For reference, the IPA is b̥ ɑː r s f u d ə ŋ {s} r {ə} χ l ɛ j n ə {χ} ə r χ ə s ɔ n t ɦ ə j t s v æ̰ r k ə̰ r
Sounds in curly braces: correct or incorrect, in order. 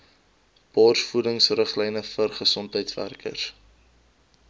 correct, correct, incorrect

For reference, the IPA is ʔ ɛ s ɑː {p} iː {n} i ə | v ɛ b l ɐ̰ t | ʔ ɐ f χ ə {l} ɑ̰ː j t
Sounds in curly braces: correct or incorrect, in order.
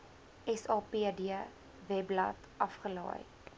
correct, incorrect, correct

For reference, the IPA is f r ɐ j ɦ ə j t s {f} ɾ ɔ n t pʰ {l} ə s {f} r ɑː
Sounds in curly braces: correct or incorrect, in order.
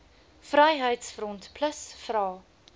correct, correct, correct

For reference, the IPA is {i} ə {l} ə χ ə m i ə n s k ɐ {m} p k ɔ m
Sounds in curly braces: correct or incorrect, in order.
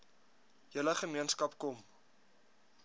incorrect, correct, incorrect

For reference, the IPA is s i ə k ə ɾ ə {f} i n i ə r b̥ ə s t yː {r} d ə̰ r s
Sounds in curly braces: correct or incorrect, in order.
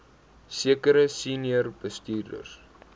incorrect, correct

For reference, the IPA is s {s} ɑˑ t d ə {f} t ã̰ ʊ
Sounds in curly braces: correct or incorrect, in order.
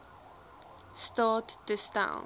incorrect, incorrect

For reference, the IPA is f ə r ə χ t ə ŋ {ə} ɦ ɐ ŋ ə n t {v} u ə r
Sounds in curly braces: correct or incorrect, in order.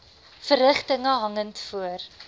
correct, incorrect

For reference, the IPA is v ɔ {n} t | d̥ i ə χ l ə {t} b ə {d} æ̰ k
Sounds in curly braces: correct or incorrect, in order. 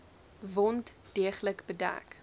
correct, incorrect, correct

